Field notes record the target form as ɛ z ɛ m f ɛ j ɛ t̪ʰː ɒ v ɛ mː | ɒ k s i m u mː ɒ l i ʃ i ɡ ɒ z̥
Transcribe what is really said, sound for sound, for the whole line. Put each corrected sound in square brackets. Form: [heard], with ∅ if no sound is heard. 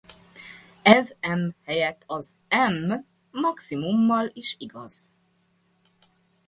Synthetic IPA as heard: ɛ z ɛ m [h] ɛ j ɛ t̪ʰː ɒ [z] ɛ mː | ɒ k s i m u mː ɒ l i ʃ i ɡ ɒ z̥